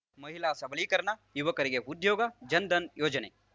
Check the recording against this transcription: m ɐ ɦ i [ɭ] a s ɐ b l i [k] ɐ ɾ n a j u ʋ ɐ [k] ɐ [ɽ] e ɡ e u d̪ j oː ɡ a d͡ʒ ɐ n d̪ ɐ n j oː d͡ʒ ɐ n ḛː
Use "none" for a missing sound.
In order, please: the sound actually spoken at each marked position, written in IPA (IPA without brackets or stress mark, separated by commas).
l, k, k, ɾ